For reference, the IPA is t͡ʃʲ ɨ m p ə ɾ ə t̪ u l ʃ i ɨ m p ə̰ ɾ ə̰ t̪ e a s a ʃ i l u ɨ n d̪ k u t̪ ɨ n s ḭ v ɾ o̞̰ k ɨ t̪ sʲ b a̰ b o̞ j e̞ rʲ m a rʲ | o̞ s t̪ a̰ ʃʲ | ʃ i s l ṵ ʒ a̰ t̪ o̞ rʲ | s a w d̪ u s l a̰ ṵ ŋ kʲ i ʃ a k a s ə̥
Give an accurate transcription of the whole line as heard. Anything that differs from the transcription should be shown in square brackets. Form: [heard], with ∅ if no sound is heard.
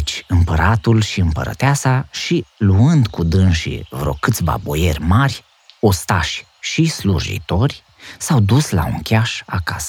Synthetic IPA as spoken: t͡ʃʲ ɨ m p ə ɾ [a] t̪ u l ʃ i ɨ m p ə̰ ɾ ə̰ t̪ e a s a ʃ i l u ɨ n d̪ k u [d̪] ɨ n [ʃ] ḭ v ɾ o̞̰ k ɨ t̪ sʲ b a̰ b o̞ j e̞ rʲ m a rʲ | o̞ s t̪ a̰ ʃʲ | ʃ i s l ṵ ʒ [ḭ] t̪ o̞ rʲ | s a w d̪ u s l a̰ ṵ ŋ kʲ [a] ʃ a k a s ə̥